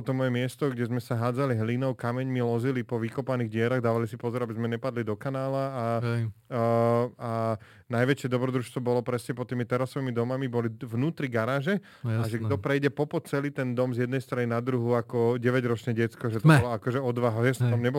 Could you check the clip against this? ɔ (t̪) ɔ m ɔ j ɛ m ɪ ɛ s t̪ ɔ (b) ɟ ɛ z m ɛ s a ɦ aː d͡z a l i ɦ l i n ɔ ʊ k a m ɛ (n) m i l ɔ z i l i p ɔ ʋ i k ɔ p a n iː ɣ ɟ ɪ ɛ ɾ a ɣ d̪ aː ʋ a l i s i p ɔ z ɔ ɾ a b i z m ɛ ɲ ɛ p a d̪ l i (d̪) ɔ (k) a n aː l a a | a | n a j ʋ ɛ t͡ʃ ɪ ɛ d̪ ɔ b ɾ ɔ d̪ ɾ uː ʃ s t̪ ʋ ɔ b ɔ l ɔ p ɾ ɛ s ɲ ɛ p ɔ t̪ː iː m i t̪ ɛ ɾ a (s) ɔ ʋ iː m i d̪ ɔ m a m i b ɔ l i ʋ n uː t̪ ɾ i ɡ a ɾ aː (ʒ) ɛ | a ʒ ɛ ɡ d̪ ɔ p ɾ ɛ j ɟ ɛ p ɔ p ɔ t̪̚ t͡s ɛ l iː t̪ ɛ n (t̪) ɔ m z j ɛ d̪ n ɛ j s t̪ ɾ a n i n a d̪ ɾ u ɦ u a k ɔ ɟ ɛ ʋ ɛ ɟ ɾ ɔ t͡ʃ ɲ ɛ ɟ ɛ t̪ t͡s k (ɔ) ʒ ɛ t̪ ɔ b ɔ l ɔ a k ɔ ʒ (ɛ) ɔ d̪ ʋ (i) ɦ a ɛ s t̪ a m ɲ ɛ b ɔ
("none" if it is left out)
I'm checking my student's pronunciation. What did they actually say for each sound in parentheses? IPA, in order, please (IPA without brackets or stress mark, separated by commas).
t̪, ɡ, ɲ, d̪, k, s, ʒ, d̪, ɔ, ɛ, a